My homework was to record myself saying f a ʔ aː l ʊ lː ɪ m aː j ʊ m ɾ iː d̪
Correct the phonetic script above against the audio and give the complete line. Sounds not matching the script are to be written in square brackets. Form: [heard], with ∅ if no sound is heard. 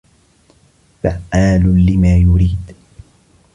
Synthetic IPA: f a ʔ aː l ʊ [l] ɪ m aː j ʊ [∅] ɾ iː d̪

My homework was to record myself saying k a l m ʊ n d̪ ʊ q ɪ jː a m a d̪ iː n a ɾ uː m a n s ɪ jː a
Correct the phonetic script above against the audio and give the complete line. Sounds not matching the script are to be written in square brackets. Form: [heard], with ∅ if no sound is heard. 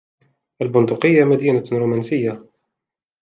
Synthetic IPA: [ʔ] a l [b] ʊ n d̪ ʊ q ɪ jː a m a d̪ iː n a ɾ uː m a n s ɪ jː a

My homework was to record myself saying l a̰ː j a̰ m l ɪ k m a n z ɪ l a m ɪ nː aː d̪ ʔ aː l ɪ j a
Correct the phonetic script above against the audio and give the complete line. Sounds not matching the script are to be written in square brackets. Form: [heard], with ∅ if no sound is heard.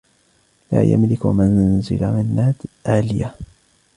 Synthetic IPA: l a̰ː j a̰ m l ɪ k m a n z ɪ l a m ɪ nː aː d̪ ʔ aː l ɪ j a

